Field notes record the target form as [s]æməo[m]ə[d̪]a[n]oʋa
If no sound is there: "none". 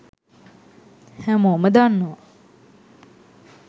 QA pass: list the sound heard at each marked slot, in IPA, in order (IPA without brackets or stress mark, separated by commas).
h, m, d̪, nː